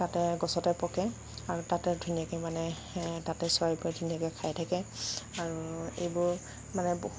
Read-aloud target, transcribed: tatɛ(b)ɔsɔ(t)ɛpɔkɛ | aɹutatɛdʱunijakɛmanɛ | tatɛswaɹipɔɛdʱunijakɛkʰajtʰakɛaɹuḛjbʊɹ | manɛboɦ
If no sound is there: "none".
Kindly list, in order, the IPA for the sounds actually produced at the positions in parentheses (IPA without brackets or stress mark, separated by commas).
ɡ, t